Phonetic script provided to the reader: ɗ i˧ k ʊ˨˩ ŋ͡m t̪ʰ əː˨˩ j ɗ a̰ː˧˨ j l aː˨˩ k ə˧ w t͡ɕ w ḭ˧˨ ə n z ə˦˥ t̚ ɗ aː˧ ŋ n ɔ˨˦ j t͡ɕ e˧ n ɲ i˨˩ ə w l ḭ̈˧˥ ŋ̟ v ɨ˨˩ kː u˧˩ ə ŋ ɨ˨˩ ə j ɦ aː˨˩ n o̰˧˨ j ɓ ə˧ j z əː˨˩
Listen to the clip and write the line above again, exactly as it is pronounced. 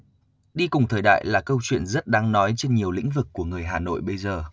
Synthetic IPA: ɗ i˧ k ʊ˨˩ ŋ͡m t̪ʰ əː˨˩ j ɗ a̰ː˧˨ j l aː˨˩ k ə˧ w t͡ɕ w ḭ˧˨ ə n z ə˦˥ t̚ ɗ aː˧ ŋ n ɔ˨˦ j t͡ɕ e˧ n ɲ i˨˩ ə w l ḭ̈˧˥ ŋ̟ v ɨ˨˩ kː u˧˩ ə ŋ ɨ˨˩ ə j ɦ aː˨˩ n o̰˧˨ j ɓ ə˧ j z əː˨˩